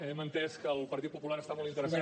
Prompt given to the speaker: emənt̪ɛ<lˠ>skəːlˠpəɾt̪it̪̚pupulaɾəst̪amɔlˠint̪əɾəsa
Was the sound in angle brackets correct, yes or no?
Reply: no